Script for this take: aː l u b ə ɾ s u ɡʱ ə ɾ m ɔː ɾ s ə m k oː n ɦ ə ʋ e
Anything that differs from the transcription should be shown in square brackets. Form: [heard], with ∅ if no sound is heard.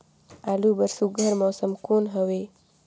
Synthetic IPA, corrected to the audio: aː l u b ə ɾ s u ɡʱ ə ɾ m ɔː [∅] s ə m k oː n ɦ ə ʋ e